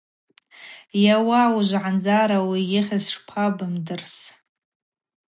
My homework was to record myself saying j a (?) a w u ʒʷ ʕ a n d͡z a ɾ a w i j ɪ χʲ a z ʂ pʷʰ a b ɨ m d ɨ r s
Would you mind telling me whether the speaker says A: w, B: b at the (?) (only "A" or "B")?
A